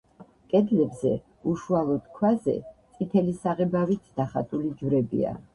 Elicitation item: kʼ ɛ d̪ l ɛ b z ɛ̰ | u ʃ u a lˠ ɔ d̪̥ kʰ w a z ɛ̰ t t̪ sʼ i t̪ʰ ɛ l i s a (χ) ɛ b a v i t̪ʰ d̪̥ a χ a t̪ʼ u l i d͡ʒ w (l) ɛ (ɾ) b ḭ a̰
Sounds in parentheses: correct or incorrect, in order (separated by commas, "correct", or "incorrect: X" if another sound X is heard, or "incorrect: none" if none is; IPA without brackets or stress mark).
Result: incorrect: ʁ, incorrect: ɾ, incorrect: none